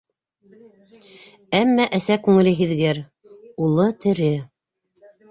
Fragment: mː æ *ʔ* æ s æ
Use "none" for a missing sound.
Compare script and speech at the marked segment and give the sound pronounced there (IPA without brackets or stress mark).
ʔ